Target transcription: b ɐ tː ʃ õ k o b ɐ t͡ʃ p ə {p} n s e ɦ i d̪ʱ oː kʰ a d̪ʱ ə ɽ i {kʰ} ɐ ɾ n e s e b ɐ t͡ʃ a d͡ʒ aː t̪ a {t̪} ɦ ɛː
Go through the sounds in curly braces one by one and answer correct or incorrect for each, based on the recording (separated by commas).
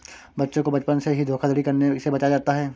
incorrect, incorrect, incorrect